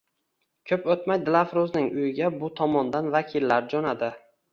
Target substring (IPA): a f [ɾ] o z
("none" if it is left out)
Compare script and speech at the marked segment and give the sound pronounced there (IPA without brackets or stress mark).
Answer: ɾ